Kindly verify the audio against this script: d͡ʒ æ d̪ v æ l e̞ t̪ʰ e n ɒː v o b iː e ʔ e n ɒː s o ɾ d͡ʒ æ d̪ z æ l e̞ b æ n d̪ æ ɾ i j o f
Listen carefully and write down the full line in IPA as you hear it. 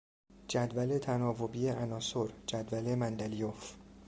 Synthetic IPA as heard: d͡ʒ æ d̪ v æ l e̞ t̪ʰ æ n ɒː v o b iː e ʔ æ n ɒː s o ɾ d͡ʒ æ d̪ v æ l e̞ m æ n d̪ æ l i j o f